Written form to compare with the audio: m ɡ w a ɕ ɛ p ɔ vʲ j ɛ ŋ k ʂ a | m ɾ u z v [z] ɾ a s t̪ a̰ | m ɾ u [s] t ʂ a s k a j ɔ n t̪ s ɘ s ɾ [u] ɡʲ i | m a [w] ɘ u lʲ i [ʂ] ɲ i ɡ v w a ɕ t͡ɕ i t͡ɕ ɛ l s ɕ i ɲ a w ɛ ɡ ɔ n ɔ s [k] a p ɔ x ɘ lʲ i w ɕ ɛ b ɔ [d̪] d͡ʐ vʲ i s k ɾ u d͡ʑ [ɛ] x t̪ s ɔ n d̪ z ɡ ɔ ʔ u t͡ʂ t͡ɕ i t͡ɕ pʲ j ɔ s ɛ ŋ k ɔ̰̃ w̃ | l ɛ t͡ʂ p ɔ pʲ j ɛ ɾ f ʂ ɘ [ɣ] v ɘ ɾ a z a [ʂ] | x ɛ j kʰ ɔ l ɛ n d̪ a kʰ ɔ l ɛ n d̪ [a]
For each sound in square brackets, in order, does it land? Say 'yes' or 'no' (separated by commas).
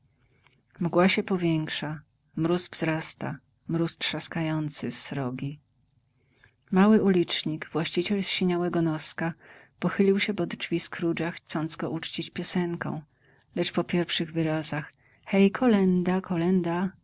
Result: yes, yes, no, yes, no, yes, yes, no, yes, no, yes